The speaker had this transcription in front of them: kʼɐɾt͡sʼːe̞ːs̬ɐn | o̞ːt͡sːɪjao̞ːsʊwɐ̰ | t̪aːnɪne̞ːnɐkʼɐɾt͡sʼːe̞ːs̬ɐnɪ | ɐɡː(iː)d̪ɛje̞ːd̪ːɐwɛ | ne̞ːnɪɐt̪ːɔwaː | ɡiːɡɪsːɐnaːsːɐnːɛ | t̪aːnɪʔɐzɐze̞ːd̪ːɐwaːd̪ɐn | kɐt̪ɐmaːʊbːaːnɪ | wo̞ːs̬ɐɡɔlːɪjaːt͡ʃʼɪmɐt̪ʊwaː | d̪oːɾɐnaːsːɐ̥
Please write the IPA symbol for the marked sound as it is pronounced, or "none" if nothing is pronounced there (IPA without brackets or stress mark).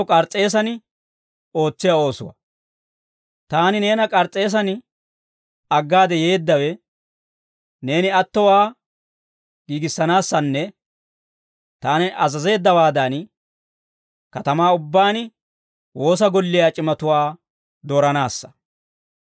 aː